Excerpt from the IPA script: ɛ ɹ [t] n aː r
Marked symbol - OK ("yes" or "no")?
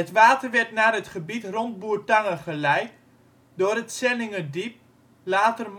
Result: yes